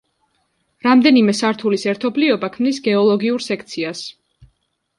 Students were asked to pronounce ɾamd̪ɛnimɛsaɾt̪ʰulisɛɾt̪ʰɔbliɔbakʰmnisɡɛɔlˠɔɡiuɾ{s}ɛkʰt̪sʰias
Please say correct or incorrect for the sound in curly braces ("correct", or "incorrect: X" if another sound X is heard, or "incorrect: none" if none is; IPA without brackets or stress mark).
correct